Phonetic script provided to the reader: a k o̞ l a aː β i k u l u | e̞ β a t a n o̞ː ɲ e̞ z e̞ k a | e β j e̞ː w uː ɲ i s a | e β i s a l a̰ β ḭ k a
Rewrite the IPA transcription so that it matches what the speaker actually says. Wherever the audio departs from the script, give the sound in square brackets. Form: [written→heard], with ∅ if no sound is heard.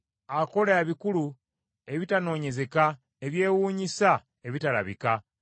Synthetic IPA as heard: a k o̞ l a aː β i k u l u | e̞ β [a→i] t a n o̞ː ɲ e̞ z e̞ k a | e β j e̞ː w uː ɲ i s a | e β i [s→t] a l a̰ β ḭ k a